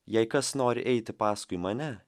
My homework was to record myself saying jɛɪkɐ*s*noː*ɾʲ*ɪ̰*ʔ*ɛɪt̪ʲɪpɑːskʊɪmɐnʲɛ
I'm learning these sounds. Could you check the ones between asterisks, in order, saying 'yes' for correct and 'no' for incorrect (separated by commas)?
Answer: yes, yes, yes